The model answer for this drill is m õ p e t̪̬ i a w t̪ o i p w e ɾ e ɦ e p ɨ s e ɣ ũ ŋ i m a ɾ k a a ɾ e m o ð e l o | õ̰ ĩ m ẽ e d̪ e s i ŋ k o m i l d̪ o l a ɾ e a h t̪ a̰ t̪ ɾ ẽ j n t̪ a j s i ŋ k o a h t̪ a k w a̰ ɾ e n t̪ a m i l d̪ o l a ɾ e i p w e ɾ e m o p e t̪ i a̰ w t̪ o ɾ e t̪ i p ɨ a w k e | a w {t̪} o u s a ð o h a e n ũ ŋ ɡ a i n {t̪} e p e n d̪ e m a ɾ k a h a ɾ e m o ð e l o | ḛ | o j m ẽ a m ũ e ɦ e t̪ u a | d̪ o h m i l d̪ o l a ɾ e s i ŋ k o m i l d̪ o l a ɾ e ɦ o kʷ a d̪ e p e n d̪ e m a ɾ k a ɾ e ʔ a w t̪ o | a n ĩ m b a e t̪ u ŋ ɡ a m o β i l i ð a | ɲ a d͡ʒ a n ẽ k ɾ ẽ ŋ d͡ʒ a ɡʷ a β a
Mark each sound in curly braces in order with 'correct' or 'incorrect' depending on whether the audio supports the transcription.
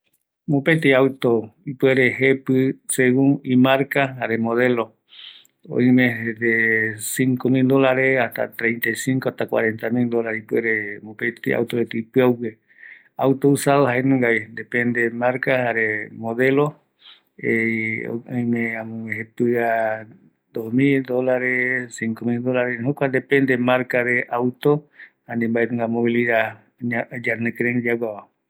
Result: correct, incorrect

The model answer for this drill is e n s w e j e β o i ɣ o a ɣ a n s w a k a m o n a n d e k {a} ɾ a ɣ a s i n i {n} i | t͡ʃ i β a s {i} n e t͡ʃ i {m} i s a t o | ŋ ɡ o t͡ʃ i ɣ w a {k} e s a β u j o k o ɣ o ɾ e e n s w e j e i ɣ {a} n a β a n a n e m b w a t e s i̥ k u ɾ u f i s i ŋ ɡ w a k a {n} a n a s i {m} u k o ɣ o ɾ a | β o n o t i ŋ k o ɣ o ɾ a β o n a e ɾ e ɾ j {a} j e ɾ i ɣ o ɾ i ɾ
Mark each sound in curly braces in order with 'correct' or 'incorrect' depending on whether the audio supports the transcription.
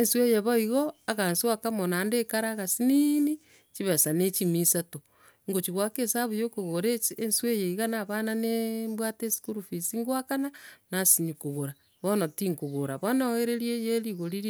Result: correct, correct, incorrect, correct, correct, correct, correct, incorrect, incorrect

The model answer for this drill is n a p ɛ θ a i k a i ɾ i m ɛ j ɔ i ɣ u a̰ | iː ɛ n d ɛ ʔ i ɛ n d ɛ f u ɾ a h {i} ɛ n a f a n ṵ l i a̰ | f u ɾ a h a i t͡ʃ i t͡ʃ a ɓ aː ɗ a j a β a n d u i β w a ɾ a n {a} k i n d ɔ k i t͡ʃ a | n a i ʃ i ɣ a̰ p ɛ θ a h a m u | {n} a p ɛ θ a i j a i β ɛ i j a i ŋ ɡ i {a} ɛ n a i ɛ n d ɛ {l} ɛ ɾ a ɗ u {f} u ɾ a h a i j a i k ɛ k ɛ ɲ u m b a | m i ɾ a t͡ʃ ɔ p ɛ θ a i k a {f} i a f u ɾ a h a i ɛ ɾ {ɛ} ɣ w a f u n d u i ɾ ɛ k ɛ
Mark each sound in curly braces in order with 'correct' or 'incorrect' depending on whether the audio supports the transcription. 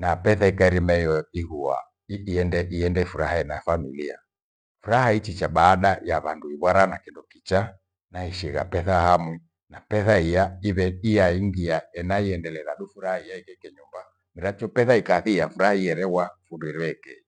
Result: incorrect, correct, correct, correct, correct, correct, incorrect, correct

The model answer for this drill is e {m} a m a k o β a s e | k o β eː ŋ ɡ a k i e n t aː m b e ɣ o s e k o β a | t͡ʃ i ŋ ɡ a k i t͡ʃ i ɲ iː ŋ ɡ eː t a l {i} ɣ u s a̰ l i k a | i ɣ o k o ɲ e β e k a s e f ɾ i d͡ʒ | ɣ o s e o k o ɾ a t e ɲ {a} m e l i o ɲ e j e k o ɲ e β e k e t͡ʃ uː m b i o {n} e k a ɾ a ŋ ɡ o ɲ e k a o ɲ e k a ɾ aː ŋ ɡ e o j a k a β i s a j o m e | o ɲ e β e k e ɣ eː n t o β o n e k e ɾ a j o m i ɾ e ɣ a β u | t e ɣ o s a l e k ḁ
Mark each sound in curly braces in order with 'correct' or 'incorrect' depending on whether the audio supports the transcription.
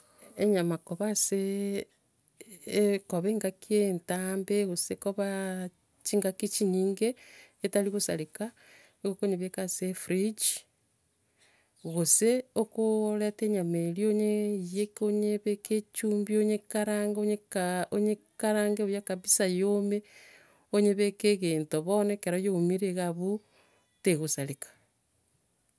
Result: incorrect, correct, correct, incorrect

